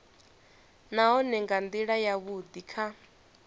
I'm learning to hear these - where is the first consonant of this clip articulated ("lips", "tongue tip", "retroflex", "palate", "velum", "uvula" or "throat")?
tongue tip